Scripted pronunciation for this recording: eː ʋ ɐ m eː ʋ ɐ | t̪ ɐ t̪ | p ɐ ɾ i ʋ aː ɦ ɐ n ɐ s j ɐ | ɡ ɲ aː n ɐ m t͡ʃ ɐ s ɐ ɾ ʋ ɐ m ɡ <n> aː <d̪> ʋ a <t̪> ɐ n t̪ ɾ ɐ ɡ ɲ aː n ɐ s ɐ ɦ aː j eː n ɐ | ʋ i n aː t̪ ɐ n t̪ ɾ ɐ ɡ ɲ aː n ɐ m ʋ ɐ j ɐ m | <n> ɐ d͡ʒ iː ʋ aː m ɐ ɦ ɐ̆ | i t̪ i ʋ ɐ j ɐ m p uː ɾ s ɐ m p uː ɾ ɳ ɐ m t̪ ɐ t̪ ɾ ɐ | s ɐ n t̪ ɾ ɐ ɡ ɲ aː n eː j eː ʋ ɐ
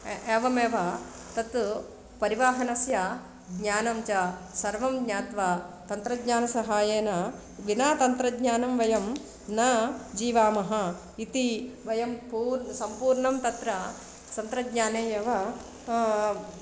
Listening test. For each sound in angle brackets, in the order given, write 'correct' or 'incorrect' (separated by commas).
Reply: incorrect, incorrect, correct, correct